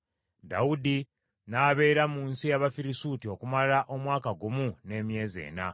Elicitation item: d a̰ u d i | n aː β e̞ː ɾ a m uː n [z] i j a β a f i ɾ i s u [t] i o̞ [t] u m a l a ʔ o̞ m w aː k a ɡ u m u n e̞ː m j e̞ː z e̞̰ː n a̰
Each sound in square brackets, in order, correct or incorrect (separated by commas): incorrect, correct, incorrect